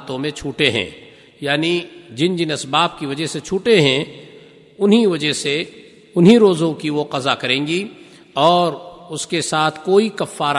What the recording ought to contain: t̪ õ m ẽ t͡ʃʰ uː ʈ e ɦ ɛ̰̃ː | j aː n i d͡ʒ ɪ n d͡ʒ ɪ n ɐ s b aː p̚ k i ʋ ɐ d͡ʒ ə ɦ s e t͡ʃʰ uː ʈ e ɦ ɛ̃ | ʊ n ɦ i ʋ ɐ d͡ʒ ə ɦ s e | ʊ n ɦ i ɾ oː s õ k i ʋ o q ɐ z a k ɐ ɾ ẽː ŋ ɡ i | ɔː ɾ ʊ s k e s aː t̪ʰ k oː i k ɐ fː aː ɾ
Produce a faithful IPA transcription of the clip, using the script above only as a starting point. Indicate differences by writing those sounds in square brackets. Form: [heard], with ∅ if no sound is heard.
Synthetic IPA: t̪ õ m ẽ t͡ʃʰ uː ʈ e ɦ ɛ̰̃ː | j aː n i d͡ʒ ɪ n d͡ʒ ɪ n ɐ s b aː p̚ k i ʋ ɐ d͡ʒ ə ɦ s e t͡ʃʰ uː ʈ e ɦ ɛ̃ | ʊ n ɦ i ʋ ɐ d͡ʒ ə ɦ s e | ʊ n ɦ i ɾ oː [z] õ k i ʋ o q ɐ z a k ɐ ɾ ẽː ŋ ɡ i | ɔː ɾ ʊ s k e s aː t̪ʰ k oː i k ɐ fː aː ɾ